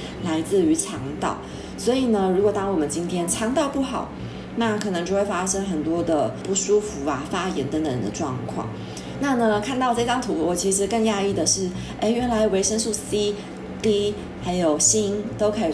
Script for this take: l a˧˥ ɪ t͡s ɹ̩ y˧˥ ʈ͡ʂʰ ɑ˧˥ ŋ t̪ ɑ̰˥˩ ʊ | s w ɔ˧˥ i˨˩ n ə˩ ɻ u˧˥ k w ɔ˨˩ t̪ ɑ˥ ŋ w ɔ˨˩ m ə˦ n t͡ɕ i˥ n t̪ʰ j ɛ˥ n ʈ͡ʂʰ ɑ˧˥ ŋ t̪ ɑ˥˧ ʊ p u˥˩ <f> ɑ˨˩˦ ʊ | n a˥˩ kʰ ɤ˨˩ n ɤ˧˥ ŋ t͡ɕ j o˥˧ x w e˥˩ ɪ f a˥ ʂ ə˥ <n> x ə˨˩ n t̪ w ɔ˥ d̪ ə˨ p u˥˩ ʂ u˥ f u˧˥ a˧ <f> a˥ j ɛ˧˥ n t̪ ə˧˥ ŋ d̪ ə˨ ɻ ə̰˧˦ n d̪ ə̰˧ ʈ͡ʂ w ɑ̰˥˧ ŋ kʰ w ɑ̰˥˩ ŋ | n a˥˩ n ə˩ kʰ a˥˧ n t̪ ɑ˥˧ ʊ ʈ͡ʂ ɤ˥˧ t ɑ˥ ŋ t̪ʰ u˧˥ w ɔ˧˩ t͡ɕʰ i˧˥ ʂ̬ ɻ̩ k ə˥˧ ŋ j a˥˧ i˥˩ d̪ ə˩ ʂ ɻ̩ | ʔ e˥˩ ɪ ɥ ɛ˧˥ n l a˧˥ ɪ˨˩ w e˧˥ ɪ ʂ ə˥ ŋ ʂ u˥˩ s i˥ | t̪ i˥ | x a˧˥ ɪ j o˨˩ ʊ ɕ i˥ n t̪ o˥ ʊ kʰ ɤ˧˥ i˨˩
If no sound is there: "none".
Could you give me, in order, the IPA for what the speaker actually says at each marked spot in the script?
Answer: x, ŋ, f

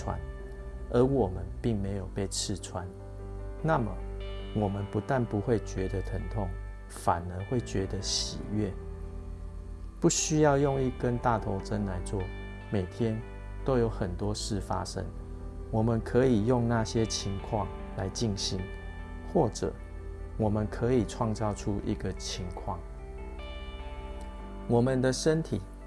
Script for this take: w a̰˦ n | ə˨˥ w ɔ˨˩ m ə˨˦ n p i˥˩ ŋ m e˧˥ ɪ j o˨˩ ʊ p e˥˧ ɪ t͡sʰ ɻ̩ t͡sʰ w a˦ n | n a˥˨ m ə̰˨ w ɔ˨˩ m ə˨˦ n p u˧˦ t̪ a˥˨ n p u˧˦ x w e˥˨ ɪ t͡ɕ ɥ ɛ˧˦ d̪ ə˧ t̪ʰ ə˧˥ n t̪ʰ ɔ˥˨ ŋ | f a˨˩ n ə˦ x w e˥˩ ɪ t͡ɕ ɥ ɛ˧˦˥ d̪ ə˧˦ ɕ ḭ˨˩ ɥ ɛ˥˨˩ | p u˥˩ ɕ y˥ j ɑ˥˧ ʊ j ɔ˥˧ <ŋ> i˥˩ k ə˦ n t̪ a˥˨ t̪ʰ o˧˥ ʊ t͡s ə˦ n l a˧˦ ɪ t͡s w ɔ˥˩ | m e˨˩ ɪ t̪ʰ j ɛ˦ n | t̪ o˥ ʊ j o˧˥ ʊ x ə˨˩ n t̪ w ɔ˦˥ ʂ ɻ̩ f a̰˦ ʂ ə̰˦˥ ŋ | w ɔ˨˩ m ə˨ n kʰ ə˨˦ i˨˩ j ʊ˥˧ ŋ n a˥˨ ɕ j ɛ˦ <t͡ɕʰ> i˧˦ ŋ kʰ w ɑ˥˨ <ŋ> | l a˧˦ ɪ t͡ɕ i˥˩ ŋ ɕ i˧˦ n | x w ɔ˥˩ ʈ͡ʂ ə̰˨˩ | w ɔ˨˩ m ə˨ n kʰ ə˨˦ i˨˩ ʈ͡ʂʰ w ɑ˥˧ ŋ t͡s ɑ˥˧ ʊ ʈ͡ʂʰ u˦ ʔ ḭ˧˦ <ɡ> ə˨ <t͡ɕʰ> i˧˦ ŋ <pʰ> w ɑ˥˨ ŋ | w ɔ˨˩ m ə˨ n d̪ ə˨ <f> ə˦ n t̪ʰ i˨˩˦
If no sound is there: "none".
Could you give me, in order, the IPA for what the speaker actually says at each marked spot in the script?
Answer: ŋ, t͡ɕʰ, ŋ, ɡ, t͡ɕʰ, kʰ, ʂ

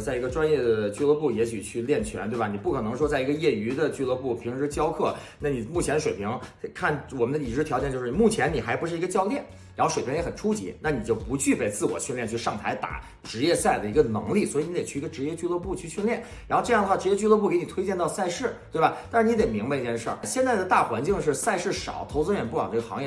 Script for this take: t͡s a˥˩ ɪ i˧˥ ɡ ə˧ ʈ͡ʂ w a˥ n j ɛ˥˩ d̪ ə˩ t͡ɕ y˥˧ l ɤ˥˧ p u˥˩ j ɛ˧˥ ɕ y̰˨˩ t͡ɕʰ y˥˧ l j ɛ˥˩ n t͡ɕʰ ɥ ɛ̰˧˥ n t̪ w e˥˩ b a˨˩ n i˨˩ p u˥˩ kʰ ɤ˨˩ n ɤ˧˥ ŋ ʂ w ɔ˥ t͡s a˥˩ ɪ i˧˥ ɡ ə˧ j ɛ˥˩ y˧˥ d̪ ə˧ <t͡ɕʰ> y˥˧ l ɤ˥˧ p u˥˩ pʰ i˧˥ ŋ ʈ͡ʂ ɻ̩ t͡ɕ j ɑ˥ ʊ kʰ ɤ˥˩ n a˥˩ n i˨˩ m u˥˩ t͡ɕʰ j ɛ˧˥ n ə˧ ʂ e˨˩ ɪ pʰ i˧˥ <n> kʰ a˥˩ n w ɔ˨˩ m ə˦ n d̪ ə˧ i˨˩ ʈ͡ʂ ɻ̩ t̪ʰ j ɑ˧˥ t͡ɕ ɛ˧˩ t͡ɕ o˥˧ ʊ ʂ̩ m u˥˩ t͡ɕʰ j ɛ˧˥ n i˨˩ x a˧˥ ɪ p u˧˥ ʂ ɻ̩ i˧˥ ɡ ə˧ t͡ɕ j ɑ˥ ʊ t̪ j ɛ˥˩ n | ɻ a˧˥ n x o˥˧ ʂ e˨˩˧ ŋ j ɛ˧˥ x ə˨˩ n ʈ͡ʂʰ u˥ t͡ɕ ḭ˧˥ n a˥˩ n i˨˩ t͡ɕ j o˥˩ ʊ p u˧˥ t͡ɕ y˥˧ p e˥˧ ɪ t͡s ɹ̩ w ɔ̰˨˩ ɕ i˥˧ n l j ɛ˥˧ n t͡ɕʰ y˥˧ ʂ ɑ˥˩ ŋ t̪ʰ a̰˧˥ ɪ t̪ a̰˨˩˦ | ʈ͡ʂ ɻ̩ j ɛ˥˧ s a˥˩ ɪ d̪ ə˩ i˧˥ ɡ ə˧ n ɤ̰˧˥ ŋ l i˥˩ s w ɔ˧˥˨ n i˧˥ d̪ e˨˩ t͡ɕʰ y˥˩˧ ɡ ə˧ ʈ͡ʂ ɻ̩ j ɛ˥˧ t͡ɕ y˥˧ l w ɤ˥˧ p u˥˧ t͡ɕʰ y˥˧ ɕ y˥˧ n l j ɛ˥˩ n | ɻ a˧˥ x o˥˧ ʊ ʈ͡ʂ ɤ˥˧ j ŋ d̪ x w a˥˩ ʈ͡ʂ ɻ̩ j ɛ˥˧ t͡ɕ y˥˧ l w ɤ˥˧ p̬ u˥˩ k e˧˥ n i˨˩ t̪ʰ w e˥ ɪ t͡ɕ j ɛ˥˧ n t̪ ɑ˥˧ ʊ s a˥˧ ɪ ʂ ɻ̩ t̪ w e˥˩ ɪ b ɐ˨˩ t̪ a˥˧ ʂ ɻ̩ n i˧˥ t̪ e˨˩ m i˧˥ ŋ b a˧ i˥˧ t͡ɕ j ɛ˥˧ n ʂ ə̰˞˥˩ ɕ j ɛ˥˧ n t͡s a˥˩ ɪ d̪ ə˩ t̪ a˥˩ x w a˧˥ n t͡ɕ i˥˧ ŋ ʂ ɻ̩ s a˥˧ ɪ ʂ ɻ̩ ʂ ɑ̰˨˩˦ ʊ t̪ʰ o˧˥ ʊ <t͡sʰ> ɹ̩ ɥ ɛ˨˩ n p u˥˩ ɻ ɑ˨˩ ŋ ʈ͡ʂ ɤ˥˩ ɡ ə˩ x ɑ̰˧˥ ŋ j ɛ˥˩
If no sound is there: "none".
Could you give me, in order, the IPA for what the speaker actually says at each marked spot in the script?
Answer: t͡ɕ, ŋ, t͡s

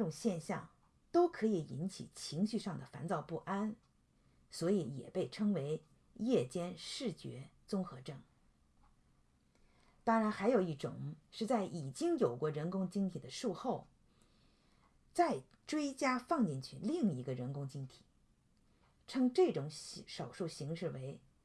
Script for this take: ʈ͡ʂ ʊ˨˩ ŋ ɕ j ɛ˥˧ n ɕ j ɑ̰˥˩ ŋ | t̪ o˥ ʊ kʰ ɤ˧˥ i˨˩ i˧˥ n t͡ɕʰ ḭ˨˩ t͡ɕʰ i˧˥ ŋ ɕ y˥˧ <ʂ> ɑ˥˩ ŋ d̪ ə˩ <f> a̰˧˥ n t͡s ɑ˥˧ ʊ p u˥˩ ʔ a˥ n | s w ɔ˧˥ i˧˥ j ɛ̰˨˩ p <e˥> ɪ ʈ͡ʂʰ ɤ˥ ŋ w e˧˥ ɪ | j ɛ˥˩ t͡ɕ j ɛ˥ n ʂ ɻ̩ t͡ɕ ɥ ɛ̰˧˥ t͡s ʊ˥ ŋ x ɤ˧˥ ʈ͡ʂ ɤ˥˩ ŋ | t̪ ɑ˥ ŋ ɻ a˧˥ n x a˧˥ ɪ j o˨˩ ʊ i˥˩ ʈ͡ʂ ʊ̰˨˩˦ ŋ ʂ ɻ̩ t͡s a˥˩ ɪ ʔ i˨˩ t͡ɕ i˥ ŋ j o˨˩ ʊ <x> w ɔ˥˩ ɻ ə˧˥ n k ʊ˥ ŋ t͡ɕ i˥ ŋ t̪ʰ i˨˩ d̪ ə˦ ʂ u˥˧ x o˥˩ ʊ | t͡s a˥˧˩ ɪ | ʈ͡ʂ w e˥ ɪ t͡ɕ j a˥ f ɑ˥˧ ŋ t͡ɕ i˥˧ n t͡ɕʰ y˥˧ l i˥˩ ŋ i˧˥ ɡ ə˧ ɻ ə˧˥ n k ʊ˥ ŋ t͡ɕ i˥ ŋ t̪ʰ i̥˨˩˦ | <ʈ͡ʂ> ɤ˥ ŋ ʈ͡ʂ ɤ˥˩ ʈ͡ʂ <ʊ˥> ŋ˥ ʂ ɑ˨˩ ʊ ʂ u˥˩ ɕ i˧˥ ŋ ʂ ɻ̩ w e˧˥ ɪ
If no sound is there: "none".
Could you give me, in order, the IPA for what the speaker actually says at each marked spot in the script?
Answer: ʂ, f, e˥˩, k, ʈ͡ʂʰ, ʊ˧˥

